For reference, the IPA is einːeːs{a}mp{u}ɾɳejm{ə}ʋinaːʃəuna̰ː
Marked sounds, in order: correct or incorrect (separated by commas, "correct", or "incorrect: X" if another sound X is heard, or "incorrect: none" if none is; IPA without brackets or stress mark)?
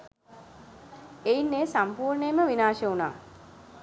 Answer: correct, incorrect: uː, correct